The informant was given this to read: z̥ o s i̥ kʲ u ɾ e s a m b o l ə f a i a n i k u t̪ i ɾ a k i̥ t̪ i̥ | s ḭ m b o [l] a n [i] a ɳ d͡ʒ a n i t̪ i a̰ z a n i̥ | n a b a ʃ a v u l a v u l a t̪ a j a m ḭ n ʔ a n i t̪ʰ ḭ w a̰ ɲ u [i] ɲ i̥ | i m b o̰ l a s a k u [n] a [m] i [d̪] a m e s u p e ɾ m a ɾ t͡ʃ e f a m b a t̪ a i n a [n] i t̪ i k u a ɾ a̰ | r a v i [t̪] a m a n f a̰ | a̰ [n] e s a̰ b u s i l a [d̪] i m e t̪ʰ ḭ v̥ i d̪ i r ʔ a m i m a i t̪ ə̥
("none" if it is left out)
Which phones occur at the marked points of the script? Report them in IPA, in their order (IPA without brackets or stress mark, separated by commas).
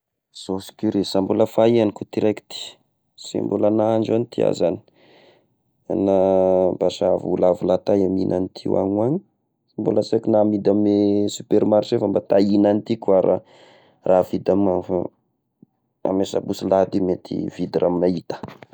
l, a, a, n, m, d̪, n, d̪, m, d̪